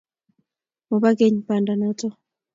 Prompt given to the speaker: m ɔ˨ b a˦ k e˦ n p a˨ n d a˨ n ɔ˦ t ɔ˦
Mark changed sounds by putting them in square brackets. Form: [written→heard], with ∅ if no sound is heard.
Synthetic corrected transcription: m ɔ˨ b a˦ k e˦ [n→ɲ] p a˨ n d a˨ n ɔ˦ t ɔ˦